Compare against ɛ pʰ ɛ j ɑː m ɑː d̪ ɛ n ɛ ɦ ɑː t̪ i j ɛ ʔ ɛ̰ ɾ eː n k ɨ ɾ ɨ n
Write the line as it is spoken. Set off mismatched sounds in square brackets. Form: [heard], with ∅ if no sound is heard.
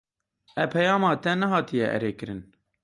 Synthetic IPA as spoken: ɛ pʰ ɛ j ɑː m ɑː [t̪] ɛ n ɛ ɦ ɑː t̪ i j ɛ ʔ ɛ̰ ɾ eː [∅] k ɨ ɾ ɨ n